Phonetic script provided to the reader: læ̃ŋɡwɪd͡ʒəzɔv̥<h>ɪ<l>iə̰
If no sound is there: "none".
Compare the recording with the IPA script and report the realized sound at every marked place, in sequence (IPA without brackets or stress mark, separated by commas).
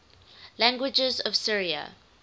s, ɹ